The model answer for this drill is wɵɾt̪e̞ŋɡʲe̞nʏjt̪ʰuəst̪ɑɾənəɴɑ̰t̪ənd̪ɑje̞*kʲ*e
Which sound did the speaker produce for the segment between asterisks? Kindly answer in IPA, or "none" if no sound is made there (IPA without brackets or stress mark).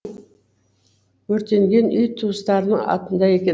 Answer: kʲ